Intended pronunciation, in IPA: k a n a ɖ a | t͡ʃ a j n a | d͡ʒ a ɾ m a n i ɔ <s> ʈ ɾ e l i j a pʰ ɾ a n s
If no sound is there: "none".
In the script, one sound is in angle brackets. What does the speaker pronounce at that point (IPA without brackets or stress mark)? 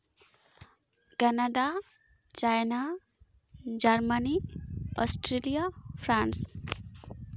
s